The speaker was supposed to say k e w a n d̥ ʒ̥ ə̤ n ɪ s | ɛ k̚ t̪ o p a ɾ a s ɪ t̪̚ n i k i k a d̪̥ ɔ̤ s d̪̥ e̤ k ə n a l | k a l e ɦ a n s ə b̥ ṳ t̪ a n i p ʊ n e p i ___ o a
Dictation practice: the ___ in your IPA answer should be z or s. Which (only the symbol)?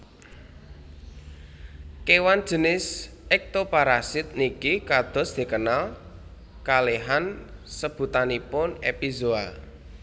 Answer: z